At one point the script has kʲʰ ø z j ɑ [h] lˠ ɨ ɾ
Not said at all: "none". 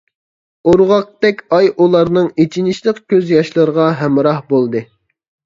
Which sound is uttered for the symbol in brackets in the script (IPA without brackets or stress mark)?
ʃ